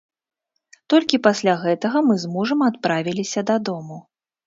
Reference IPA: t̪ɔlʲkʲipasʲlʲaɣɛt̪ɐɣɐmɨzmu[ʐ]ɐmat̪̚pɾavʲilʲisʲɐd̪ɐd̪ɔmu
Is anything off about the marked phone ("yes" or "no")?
no